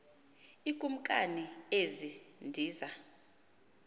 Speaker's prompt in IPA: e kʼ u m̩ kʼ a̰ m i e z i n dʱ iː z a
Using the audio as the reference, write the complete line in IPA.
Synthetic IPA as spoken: i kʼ u m̩ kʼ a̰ n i e z i n dʱ iː z a